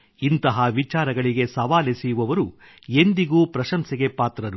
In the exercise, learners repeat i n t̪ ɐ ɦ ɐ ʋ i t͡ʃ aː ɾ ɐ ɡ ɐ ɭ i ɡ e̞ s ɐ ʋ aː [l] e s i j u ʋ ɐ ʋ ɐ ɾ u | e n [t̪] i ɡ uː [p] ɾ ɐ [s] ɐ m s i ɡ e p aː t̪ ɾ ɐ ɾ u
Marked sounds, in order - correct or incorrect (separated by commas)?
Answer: correct, incorrect, correct, incorrect